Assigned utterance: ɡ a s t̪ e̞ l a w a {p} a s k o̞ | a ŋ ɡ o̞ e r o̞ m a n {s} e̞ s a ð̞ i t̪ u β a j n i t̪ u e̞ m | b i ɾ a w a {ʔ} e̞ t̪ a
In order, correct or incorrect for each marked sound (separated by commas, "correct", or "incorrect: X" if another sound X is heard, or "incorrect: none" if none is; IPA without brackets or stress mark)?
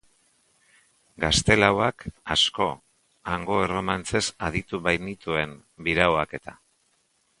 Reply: incorrect: k, incorrect: t͡s, incorrect: k